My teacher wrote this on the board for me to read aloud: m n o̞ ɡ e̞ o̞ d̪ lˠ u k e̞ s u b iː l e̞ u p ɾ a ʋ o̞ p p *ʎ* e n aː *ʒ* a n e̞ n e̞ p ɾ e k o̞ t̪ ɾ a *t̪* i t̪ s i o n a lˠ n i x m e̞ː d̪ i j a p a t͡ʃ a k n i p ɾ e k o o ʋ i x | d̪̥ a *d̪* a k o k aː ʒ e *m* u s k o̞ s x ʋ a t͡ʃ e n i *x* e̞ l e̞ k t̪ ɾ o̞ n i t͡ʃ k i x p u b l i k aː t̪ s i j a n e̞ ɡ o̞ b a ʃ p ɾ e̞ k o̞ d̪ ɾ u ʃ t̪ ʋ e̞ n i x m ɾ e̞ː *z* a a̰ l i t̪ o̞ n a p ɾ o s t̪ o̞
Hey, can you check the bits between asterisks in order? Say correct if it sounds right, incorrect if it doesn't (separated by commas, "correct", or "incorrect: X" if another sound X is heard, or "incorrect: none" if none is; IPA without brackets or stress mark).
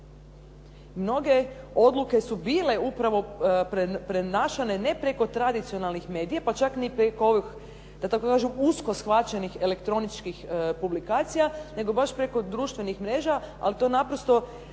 incorrect: ɾ, incorrect: ʃ, incorrect: d̪, incorrect: t̪, correct, correct, incorrect: ʒ